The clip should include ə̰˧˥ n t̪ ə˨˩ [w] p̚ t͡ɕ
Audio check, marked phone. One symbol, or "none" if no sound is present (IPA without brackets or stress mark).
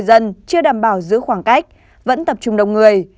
none